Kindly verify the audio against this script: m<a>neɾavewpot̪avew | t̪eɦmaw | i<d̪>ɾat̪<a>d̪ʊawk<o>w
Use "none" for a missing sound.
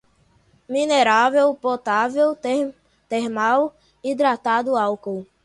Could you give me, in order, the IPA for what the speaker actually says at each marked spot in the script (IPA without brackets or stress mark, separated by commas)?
i, d̪, a, o